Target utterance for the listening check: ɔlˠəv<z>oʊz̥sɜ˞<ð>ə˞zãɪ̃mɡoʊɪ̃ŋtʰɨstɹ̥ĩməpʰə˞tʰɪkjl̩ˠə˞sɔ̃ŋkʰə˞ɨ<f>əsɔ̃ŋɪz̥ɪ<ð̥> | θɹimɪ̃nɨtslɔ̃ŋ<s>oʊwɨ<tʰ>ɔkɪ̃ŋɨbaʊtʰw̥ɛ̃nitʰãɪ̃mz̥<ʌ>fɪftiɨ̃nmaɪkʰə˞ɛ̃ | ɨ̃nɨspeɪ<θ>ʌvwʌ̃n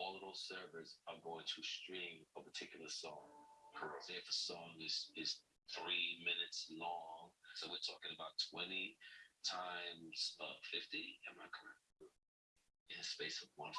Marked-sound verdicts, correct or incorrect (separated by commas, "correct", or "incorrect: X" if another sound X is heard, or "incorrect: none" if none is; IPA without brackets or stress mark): incorrect: ð, incorrect: v, correct, incorrect: z̥, correct, correct, correct, incorrect: s